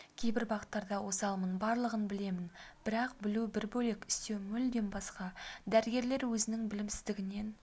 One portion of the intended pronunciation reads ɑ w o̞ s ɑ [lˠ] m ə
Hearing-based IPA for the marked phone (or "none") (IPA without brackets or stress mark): lˠ